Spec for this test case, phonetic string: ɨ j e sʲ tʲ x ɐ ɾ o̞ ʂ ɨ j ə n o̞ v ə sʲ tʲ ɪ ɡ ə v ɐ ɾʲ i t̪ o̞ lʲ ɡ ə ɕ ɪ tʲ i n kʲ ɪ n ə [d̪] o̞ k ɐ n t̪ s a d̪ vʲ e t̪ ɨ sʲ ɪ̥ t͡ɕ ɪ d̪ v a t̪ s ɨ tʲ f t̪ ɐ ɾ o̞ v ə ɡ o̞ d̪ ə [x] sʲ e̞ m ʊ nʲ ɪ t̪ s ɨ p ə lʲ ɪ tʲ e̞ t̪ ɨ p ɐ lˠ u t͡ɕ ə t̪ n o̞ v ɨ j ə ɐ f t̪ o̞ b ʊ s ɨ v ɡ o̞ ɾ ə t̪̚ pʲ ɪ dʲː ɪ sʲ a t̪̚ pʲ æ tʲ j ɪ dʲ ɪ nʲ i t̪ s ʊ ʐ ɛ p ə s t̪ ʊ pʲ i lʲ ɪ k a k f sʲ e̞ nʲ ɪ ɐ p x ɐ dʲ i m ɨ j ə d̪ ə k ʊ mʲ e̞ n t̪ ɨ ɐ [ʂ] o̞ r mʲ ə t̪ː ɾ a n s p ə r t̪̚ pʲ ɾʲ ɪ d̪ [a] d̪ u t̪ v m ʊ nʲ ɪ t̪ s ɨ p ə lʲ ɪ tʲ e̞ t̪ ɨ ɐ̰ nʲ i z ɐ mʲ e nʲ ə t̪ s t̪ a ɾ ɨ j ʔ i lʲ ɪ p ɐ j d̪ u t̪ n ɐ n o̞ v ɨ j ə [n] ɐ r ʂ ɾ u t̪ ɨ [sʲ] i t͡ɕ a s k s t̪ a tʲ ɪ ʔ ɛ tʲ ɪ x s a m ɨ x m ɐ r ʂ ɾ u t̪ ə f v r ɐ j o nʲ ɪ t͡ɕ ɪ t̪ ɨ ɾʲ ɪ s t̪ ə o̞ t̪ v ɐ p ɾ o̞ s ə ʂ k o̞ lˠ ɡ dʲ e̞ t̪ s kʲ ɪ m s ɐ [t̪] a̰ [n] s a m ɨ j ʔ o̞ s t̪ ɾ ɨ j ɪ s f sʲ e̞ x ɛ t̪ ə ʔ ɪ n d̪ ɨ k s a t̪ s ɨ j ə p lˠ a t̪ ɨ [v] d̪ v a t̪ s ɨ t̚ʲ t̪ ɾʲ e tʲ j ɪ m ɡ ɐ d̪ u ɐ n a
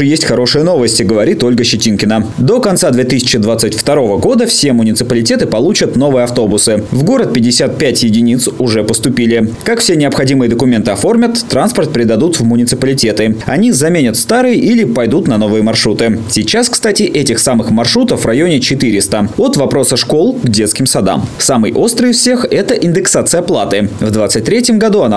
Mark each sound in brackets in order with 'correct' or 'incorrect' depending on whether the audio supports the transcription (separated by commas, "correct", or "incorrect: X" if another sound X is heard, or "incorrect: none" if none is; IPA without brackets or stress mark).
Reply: correct, incorrect: f, incorrect: f, incorrect: ɐ, incorrect: m, correct, incorrect: d̪, incorrect: m, correct